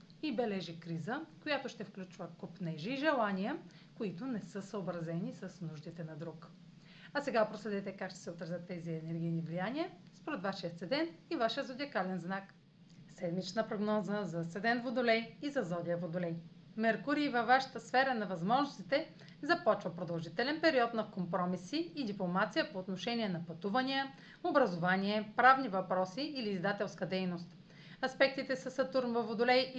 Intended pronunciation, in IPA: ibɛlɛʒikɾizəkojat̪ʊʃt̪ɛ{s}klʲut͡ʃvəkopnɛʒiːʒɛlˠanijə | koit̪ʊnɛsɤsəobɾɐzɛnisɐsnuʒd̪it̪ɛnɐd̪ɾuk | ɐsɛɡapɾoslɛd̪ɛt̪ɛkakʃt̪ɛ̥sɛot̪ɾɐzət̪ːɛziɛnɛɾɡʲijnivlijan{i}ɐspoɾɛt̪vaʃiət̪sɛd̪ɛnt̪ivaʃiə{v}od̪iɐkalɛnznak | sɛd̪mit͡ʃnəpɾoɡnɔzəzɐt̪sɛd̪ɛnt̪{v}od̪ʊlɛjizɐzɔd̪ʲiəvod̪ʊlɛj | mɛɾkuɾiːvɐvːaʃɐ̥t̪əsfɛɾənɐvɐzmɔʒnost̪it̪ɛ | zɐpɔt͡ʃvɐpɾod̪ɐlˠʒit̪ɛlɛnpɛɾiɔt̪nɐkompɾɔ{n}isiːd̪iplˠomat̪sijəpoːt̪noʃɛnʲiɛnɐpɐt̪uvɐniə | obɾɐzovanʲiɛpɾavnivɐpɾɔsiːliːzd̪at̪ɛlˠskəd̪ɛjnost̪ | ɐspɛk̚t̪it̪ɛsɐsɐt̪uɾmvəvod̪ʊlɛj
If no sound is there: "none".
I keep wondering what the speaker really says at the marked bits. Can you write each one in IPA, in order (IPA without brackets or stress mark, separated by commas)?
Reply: f, i, z, v, m